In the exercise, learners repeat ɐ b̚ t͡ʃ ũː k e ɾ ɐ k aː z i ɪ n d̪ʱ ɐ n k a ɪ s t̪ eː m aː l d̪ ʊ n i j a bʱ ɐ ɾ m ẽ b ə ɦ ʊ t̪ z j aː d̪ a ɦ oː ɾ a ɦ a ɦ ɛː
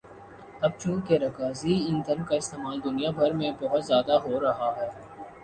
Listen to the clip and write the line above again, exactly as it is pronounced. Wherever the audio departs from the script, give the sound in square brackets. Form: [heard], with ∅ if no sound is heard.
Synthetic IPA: ɐ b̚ t͡ʃ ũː k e ɾ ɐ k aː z i ɪ n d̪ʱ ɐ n k a ɪ s t̪ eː m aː l d̪ ʊ n i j a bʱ ɐ ɾ m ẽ b [ɐ] ɦ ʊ t̪ z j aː d̪ a ɦ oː ɾ [ɐ] ɦ a ɦ ɛː